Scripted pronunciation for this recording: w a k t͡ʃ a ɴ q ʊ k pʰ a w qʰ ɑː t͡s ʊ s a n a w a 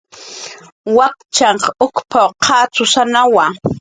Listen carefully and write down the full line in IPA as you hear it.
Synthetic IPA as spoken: w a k t͡ʃ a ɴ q ʊ k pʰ a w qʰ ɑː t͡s ʊ s a n a w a